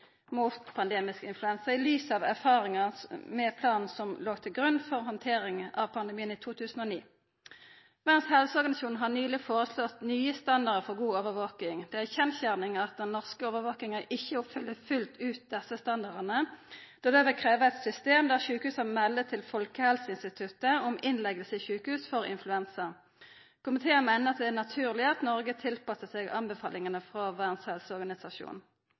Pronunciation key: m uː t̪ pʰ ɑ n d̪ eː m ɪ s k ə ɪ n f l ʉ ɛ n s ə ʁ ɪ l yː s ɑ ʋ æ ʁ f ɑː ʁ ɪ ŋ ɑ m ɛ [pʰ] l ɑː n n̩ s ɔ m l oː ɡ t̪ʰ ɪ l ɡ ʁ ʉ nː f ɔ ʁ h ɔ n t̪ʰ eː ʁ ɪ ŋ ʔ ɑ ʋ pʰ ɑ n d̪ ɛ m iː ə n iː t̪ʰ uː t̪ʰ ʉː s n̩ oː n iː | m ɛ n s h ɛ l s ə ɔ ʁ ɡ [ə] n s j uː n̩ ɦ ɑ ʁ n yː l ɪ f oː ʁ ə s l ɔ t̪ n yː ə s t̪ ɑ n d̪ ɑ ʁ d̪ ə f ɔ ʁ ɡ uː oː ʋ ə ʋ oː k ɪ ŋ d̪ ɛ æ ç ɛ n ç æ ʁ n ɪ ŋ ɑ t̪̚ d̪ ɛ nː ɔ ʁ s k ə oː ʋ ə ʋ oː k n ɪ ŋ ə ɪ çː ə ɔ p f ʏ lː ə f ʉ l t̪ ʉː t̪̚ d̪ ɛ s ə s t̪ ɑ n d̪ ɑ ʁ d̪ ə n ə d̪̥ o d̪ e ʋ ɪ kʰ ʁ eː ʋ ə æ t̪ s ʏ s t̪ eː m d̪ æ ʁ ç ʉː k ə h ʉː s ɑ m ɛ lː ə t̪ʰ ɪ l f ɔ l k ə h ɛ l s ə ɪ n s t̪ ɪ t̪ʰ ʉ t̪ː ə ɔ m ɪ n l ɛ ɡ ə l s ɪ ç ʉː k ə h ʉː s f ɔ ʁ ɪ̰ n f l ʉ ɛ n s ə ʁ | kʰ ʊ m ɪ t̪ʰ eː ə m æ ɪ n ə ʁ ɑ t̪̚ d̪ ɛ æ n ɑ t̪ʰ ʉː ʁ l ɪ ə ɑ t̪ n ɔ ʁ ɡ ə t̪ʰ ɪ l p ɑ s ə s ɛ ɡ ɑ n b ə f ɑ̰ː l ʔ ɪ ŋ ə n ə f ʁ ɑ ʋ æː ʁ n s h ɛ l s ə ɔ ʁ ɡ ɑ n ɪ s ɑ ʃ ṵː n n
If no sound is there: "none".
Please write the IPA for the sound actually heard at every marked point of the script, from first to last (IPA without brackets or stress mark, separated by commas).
pʰ, ɑ